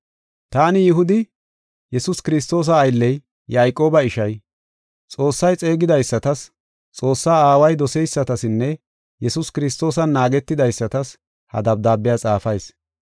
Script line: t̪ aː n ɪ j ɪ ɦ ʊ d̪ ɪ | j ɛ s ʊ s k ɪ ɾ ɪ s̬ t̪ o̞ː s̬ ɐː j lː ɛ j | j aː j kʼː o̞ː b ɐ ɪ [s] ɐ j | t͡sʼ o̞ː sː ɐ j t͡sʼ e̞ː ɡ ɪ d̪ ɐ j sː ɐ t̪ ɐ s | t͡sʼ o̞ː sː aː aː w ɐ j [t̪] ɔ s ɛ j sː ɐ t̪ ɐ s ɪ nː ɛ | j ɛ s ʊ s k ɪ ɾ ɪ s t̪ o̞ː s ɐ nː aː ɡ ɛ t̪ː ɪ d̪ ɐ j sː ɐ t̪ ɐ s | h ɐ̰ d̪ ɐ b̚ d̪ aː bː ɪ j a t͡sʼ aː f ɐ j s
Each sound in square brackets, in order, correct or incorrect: incorrect, incorrect

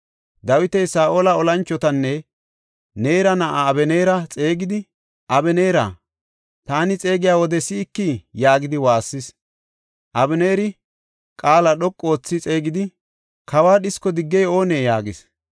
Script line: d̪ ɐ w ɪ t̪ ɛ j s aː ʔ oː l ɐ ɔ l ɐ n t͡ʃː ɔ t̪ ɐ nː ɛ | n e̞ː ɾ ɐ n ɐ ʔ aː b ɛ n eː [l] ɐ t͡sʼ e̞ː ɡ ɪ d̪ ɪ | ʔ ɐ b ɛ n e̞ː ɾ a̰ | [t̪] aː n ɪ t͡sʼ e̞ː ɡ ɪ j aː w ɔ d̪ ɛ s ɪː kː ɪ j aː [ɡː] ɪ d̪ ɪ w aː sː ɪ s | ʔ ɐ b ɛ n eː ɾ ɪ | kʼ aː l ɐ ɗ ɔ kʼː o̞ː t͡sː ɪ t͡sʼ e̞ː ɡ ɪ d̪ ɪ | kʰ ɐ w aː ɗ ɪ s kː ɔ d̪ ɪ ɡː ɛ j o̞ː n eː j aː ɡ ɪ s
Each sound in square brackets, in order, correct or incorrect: incorrect, correct, incorrect

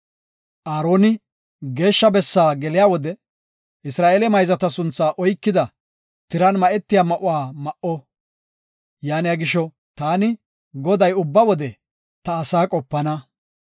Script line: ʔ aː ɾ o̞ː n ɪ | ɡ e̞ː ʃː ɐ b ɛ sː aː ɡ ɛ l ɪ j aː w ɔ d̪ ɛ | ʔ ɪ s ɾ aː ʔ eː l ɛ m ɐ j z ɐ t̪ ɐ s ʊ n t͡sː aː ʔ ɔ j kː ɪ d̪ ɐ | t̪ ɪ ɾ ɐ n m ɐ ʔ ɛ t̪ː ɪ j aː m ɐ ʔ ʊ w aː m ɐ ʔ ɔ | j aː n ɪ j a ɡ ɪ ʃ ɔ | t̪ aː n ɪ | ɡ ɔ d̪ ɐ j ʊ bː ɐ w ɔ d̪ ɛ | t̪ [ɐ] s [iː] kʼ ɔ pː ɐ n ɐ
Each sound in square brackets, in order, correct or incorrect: incorrect, incorrect

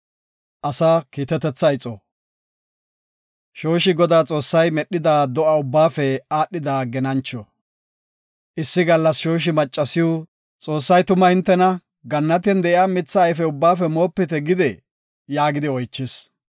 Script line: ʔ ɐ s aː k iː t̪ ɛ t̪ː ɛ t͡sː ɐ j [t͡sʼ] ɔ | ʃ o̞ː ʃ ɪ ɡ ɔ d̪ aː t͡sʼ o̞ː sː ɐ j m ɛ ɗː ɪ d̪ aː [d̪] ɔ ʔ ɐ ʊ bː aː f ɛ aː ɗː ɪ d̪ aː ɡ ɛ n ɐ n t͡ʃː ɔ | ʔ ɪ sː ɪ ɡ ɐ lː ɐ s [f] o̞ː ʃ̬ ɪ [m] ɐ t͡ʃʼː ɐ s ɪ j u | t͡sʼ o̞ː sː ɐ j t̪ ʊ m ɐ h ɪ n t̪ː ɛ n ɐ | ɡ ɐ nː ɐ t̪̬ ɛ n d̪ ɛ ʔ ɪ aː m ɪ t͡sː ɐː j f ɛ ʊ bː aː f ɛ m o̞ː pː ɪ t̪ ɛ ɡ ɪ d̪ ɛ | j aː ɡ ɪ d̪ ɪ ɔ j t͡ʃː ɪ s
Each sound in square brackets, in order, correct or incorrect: correct, correct, incorrect, correct

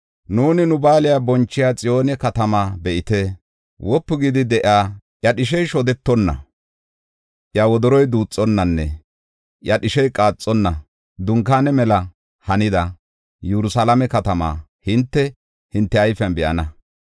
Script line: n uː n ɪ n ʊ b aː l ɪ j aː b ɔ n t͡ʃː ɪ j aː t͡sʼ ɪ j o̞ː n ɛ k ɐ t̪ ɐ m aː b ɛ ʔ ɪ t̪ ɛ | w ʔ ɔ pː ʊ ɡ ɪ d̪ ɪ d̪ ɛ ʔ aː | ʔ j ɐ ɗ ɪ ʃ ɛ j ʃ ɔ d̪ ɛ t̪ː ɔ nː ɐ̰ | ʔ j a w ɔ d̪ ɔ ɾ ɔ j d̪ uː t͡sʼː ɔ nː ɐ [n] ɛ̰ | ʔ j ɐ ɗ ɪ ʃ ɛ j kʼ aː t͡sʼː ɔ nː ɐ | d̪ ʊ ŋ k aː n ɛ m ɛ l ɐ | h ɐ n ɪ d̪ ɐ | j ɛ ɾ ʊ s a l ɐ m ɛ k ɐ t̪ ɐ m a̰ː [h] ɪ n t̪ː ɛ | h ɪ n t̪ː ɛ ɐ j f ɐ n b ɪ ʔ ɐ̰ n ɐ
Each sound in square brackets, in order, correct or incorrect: incorrect, correct

